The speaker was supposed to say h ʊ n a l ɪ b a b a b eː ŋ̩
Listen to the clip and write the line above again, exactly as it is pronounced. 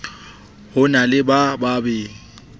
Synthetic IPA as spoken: h ʊ n a l ɪ b a b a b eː ŋ̩